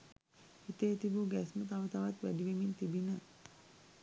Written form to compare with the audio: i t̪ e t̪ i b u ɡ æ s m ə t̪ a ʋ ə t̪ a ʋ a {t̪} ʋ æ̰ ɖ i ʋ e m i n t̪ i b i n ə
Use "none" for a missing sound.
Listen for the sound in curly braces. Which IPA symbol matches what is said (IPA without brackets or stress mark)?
t̪